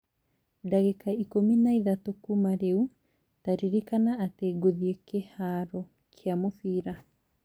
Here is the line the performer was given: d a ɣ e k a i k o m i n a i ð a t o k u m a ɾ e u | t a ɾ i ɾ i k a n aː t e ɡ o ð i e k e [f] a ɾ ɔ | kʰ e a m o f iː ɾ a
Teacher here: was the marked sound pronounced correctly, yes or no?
no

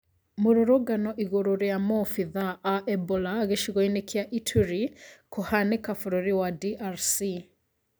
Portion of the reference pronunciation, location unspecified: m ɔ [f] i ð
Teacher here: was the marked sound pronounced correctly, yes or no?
yes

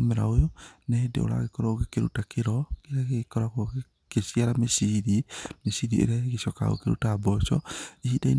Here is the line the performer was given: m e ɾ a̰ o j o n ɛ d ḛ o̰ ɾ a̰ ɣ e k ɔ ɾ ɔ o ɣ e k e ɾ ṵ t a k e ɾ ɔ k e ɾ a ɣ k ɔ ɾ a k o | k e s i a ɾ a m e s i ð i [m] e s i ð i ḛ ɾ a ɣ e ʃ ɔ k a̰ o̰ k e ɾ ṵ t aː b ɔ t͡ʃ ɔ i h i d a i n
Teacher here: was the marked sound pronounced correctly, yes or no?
yes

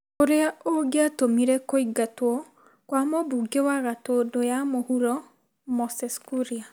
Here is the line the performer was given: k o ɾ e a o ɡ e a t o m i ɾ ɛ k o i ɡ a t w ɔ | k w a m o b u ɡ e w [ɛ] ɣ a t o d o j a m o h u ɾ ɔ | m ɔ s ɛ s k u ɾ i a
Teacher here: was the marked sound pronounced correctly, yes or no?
no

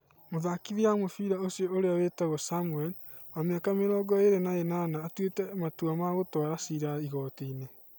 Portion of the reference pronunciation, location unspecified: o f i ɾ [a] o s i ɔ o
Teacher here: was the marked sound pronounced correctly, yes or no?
yes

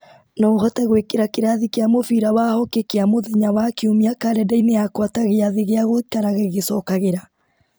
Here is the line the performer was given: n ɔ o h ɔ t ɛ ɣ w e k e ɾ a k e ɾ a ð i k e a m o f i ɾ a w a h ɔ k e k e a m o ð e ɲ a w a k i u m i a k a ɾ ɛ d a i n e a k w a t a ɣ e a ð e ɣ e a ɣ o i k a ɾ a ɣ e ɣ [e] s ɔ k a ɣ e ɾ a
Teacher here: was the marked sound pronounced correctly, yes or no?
yes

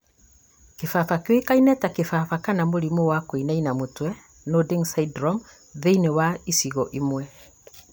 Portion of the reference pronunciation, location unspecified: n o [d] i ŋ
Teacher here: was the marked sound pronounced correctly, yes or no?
yes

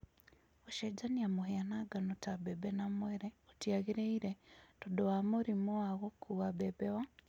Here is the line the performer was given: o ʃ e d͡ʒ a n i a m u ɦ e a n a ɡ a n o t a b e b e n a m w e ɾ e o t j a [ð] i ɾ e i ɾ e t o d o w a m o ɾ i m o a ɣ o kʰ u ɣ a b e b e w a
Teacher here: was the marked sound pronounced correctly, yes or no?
no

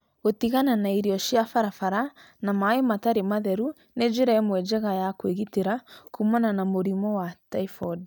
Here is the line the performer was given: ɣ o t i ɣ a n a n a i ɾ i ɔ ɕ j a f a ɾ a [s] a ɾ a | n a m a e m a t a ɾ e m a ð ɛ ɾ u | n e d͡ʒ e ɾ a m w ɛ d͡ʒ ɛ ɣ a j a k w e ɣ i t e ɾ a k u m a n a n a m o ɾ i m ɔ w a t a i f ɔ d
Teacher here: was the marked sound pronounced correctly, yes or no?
no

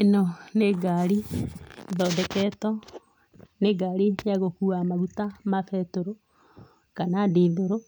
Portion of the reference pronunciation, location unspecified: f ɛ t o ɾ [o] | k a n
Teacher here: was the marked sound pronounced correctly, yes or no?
yes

